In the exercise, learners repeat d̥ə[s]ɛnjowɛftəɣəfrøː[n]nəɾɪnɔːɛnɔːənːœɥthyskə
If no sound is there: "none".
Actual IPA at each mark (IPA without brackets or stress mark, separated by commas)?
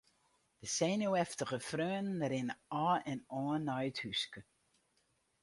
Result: s, n